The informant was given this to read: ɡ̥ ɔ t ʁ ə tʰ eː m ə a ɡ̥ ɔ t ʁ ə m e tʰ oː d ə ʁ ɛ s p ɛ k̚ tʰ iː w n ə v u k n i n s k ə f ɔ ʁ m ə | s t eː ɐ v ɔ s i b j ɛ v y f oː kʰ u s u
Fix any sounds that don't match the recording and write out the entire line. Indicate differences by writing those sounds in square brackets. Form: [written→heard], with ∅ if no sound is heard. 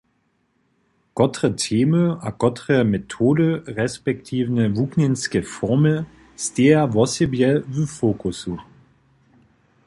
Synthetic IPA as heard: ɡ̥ ɔ t ʁ ə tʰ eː m ə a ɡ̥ ɔ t ʁ ə m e tʰ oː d ə ʁ ɛ s p ɛ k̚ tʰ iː [w→v] n ə v u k n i n s k ə f ɔ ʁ m ə | s t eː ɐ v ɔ s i b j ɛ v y f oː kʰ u s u